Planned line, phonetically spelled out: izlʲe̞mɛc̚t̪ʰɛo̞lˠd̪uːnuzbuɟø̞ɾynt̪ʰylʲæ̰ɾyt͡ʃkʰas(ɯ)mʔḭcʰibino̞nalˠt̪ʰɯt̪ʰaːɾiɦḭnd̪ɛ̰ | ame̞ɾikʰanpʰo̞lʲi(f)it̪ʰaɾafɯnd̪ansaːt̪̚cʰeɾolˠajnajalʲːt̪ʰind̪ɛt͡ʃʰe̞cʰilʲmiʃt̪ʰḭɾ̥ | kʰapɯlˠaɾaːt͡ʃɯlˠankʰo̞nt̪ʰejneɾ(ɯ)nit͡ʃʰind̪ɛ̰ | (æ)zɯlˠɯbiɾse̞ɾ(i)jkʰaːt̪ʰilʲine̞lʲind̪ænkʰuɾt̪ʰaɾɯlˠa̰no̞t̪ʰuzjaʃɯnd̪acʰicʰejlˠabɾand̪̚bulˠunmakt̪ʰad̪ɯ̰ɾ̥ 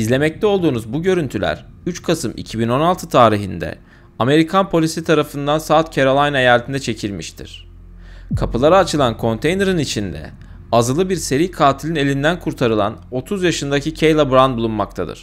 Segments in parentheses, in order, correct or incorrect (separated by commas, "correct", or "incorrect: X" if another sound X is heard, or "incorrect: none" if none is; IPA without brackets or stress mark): correct, incorrect: s, correct, incorrect: a, correct